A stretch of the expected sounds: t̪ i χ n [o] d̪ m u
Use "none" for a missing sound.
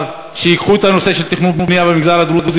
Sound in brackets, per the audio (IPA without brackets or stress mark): u